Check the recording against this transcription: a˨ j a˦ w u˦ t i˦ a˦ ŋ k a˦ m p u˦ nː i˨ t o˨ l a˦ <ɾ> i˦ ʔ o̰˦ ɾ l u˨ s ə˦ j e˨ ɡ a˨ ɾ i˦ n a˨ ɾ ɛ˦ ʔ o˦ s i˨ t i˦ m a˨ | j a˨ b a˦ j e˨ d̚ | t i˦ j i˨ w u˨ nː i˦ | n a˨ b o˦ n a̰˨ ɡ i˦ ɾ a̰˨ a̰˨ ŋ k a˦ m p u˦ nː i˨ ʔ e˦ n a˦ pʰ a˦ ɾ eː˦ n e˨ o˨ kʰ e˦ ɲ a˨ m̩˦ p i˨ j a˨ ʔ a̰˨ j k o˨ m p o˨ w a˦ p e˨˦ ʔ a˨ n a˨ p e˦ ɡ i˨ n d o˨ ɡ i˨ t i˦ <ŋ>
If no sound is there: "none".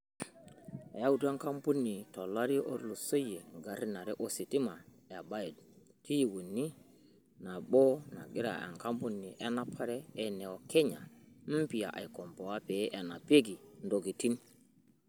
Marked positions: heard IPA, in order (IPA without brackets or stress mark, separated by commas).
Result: ɾ, n